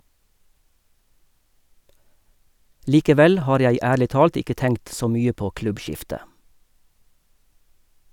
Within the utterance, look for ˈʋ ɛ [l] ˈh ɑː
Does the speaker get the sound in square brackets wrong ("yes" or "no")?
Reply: no